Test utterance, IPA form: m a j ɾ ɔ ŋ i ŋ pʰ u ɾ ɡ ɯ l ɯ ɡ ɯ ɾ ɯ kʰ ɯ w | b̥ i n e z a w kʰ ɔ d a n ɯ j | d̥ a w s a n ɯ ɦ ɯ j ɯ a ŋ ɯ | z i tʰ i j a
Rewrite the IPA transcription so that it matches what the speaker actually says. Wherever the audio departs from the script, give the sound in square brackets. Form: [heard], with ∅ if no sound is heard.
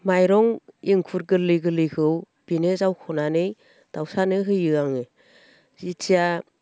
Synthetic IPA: m a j ɾ ɔ ŋ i ŋ [kʰ] u ɾ ɡ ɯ l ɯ ɡ ɯ [l] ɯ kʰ ɯ w | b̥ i n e z a w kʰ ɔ [n] a n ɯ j | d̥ a w s a n ɯ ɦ ɯ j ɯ a ŋ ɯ | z i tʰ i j a